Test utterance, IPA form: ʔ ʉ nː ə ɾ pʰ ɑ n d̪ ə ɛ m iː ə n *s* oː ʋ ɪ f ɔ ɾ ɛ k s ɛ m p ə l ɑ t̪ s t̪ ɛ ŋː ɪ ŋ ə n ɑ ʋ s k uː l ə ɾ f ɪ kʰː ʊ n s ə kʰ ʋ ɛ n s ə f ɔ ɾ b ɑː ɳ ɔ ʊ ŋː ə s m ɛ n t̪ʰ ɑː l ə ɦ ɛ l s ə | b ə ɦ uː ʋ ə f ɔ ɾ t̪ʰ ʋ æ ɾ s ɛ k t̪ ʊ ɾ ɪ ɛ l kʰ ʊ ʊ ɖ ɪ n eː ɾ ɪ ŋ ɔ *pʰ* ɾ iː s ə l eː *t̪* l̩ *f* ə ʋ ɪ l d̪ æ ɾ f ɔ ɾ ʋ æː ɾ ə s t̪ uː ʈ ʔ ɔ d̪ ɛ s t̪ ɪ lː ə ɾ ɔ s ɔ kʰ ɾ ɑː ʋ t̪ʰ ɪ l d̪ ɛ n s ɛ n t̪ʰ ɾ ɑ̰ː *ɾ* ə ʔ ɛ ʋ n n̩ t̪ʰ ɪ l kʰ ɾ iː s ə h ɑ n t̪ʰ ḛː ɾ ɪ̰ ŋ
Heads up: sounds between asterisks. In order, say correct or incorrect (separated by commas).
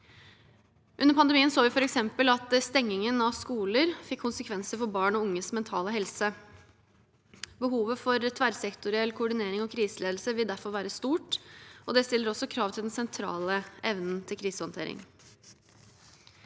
correct, incorrect, incorrect, incorrect, incorrect